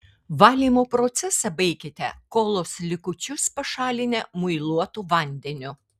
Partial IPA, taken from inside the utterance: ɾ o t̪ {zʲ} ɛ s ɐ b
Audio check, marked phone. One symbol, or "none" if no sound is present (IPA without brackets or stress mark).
sʲ